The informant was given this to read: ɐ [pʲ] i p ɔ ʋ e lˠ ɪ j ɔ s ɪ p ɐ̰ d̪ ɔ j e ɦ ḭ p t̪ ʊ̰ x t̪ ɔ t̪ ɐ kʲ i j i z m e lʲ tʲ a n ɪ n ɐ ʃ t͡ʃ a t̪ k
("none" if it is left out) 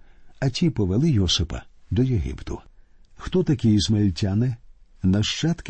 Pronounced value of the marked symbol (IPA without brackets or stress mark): tʲ